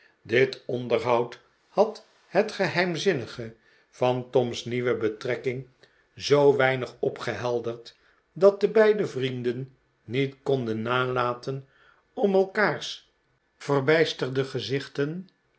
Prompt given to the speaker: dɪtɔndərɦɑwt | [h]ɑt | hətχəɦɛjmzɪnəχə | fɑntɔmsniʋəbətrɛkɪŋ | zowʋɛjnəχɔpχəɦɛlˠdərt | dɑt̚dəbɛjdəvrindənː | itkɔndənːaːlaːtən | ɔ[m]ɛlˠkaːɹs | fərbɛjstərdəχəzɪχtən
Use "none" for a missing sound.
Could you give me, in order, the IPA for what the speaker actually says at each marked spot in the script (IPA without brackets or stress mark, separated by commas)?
h, m